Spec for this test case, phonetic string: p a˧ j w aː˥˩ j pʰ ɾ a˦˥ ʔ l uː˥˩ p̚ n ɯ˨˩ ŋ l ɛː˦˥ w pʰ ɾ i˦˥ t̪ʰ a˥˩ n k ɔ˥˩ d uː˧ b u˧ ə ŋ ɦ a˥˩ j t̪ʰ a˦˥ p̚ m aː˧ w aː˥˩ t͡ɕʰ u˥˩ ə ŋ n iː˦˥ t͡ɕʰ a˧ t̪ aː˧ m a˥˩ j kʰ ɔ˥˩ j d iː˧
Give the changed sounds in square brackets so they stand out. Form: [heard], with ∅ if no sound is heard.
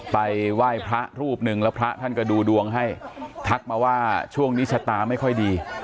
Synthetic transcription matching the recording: p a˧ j w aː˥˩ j pʰ ɾ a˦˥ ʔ [ɾ] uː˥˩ p̚ n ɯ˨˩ ŋ l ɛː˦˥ w pʰ ɾ [a˦˥] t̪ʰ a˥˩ n k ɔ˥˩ d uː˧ [d] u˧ ə ŋ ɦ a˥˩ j t̪ʰ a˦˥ [k̚] m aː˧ w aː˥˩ t͡ɕʰ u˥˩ ə ŋ n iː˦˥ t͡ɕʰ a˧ t̪ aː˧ m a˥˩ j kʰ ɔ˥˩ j d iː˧